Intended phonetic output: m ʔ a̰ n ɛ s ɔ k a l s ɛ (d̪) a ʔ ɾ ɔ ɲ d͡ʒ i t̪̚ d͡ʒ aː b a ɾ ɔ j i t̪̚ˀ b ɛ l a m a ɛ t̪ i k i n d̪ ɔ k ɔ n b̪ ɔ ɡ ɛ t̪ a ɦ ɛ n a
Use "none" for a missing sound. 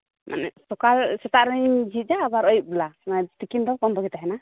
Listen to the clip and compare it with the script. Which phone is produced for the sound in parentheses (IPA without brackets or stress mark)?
t̪